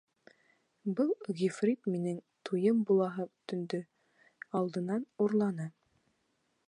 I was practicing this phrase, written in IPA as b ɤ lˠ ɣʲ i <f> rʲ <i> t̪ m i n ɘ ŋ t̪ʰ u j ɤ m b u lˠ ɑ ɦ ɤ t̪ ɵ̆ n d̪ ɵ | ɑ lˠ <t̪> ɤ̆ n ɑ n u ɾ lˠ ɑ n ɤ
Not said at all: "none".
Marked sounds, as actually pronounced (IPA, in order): f, i, d̪

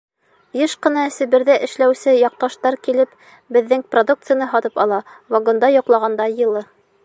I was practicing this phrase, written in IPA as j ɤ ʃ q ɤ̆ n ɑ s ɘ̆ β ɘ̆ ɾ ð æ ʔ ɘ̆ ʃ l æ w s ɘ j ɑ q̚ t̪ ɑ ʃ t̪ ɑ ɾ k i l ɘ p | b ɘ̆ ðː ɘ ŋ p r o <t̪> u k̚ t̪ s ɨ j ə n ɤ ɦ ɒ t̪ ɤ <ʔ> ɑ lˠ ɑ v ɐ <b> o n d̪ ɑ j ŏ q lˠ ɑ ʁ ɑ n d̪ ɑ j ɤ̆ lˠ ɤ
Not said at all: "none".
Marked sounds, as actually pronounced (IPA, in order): d̪, p, ɡ

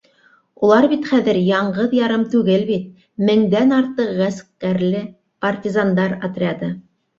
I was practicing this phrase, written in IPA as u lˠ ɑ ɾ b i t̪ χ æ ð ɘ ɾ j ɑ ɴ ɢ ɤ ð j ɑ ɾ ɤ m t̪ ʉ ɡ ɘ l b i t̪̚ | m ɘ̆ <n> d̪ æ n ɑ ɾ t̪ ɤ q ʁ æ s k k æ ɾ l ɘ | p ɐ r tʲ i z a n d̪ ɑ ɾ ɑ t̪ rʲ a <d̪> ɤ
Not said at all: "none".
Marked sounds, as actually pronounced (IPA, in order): ŋ, d̪

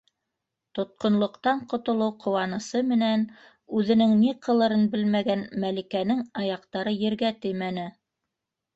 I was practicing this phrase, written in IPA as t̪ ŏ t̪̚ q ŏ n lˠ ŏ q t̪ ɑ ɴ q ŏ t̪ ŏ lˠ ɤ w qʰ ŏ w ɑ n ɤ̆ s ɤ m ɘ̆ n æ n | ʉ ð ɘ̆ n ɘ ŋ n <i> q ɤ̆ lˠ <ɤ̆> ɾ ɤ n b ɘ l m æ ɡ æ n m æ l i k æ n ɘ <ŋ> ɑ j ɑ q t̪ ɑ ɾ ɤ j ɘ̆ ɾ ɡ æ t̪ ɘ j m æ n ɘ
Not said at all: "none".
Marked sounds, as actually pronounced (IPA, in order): i, ɤ̆, ŋ

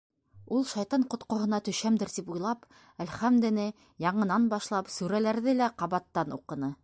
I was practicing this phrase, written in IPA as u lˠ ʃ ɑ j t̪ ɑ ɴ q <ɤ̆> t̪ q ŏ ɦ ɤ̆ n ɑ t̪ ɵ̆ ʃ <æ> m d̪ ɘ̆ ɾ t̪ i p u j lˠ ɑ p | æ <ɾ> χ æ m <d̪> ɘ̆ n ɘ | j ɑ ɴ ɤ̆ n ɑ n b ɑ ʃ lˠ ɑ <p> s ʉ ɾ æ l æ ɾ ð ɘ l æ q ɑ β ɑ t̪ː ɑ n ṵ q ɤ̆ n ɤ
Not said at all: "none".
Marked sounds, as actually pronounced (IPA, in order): ŏ, æ, l, d̪, p

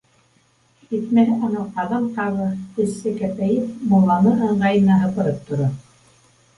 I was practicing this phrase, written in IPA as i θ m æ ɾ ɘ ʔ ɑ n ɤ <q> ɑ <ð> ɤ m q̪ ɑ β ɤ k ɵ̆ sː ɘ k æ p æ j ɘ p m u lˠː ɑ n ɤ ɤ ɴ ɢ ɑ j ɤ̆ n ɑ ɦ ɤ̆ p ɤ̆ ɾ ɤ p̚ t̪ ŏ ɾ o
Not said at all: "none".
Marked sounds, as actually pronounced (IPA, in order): q, ð

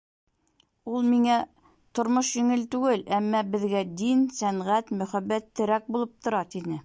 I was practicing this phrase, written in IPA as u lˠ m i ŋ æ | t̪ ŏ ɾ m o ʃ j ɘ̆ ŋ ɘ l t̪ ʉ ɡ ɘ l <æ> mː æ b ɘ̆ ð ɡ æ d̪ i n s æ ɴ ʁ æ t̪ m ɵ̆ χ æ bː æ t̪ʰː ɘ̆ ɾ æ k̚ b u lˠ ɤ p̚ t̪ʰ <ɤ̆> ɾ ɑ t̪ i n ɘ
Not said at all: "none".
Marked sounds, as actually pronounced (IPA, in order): æ, ŏ

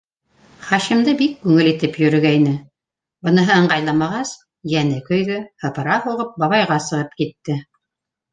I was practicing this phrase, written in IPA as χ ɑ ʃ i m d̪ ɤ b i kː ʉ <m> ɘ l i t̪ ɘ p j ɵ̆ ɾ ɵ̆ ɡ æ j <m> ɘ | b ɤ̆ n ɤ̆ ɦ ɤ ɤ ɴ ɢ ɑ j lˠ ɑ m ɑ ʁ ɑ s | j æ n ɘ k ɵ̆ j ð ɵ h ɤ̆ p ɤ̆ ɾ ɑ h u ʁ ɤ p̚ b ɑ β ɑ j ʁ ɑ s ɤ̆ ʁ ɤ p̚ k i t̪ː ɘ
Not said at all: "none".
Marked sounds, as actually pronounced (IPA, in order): ŋ, n

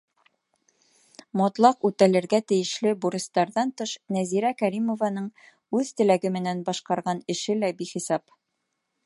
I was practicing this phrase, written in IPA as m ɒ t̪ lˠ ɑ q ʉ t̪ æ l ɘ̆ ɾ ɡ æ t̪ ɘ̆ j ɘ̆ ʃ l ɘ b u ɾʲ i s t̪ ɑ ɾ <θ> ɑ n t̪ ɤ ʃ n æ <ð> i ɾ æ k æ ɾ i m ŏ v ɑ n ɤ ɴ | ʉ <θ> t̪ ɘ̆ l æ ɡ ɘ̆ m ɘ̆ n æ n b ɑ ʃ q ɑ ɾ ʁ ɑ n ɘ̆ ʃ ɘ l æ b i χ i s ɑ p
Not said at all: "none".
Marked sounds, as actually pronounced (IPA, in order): ð, z, ð

